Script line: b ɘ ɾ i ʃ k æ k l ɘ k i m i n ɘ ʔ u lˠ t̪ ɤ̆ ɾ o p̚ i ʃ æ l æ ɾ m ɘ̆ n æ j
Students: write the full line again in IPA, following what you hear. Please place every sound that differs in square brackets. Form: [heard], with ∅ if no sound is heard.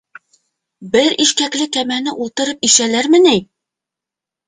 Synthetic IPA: b ɘ ɾ i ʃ k æ k l ɘ k [æ] m [æ] n ɘ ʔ u lˠ t̪ ɤ̆ ɾ [ɤ] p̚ i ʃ æ l æ ɾ m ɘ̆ n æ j